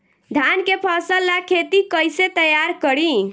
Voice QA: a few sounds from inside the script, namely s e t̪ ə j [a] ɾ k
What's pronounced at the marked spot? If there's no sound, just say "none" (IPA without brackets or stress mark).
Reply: a